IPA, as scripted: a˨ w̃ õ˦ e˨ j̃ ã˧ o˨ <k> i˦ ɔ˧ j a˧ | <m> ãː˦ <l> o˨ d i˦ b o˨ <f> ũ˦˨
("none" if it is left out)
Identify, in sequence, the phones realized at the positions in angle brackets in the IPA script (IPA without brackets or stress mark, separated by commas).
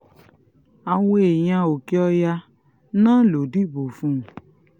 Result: k, n, l, f